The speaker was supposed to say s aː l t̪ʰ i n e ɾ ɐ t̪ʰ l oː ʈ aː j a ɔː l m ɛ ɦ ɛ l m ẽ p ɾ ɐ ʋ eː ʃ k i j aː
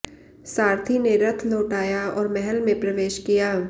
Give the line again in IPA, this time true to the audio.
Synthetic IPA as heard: s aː ɾ t̪ʰ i n e ɾ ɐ t̪ʰ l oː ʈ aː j a ɔː ɾ m ɛ ɦ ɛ l m ẽ p ɾ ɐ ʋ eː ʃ k i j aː